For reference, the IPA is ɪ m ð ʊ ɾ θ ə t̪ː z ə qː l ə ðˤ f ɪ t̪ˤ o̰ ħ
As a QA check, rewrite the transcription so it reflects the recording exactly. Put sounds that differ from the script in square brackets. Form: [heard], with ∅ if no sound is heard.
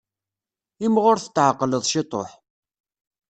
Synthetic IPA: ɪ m [ʁ] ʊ ɾ θ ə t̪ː [ʕ] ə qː l ə ðˤ [ʃ] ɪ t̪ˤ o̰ ħ

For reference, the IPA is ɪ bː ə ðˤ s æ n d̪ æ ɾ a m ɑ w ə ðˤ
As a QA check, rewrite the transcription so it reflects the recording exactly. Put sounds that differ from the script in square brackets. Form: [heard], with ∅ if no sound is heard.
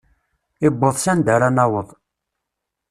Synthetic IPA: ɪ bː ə ðˤ s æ n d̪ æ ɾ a [n] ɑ w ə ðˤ

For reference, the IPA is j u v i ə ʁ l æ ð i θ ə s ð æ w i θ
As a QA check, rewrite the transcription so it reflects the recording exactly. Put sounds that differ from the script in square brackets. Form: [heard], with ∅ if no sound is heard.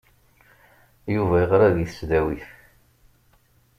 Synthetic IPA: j u v [æ] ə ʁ [ɾ] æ ð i θ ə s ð æ w i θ

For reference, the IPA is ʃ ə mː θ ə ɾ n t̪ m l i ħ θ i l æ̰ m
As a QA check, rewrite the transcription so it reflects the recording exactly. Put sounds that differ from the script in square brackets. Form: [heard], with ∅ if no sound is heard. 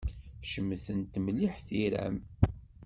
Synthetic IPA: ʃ ə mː θ ə [∅] n t̪ m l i ħ θ i [ɾ] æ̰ m

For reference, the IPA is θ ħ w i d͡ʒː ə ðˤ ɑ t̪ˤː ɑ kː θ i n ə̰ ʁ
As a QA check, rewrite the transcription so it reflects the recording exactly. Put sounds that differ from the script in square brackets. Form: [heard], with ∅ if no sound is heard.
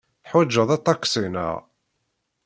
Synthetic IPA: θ ħ w [æ] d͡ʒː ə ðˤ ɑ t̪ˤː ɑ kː [s] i n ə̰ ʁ

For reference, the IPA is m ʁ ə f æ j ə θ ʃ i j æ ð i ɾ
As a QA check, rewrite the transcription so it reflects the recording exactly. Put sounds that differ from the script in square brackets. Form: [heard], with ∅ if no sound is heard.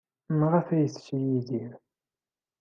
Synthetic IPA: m ʁ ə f æ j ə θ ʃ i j [i] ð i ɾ

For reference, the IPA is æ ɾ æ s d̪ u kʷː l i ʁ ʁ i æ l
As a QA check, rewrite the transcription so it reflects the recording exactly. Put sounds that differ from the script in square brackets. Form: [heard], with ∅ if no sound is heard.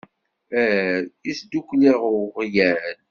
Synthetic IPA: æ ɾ [i] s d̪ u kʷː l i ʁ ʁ [j] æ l

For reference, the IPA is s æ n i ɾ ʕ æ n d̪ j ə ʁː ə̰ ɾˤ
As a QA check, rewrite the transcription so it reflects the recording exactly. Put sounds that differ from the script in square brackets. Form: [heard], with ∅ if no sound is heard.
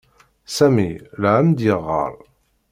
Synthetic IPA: s æ [m] i [l] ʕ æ [m] d̪ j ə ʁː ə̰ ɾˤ

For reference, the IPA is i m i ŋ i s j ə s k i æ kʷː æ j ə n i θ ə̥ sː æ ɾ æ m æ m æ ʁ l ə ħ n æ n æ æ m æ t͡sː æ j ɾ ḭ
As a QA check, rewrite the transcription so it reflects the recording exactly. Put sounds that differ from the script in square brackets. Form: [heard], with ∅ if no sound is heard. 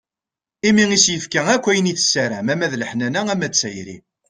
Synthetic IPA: i m i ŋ i s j ə [f] k [æ] æ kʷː æ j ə n i θ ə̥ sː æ ɾ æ m æ m æ [ð] l ə ħ n æ n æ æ m æ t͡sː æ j ɾ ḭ

